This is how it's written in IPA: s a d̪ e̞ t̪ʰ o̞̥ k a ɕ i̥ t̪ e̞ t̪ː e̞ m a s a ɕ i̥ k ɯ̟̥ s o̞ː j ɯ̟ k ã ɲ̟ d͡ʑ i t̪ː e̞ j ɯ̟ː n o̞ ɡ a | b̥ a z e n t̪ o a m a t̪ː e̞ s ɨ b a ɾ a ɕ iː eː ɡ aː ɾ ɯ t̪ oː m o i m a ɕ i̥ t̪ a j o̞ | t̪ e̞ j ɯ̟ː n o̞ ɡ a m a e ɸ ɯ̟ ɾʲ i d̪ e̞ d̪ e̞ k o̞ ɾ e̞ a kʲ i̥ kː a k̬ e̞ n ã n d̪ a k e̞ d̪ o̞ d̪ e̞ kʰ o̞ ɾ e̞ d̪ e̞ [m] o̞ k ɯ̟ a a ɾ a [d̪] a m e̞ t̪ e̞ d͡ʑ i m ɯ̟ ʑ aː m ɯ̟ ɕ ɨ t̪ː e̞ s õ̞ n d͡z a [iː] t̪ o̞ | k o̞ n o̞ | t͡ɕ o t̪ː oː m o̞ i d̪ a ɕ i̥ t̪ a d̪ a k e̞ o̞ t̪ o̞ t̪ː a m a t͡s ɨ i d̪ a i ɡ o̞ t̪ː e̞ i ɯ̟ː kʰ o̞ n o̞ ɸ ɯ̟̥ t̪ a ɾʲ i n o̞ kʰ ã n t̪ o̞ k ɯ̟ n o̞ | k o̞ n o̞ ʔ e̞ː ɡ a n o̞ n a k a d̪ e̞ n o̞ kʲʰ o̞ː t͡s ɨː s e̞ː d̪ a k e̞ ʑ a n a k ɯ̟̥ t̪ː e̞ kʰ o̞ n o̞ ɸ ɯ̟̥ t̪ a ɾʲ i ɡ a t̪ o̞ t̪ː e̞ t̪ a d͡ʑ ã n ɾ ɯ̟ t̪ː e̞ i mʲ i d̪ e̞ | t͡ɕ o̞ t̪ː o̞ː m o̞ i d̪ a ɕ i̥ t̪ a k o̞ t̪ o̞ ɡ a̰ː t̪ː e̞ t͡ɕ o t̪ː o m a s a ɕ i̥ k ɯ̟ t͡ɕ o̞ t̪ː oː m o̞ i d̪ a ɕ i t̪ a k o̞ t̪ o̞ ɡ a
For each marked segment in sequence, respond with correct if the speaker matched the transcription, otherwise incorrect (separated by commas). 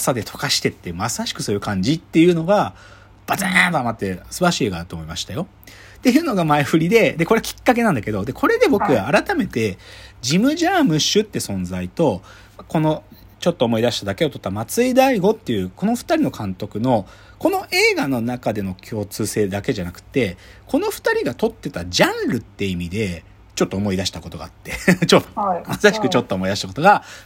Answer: incorrect, incorrect, incorrect